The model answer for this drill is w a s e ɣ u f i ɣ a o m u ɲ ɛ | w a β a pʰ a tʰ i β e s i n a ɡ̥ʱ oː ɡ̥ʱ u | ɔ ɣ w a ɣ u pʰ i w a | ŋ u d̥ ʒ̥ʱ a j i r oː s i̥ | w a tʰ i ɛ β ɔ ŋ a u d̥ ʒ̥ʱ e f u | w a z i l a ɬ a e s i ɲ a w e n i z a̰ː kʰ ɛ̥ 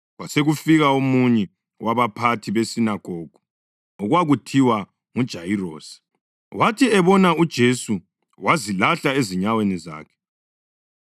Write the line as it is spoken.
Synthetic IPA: w a s e ɣ u f i ɣ a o m u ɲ ɛ | w a β a pʰ a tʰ i β e s i n a ɡ̥ʱ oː ɡ̥ʱ u | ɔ ɣ w a ɣ u tʰ i w a | ŋ u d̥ ʒ̥ʱ a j i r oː s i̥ | w a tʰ i ɛ β ɔ n a u d̥ ʒ̥ʱ e s u | w a z i l a ɬ a e z i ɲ a w e n i z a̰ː kʰ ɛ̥